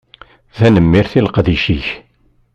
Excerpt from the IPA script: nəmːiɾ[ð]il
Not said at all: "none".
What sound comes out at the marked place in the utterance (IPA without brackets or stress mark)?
θ